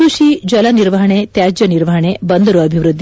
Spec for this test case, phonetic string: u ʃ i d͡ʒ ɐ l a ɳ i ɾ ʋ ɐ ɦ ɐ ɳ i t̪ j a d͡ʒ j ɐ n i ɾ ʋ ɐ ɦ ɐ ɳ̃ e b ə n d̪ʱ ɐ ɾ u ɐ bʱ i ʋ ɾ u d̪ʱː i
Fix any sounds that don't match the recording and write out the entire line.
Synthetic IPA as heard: u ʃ i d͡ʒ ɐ l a n i ɾ ʋ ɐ ɦ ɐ ɳ e t̪ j a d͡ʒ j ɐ n i ɾ ʋ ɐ ɦ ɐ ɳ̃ e b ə n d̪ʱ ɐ ɾ u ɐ bʱ i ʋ ɾ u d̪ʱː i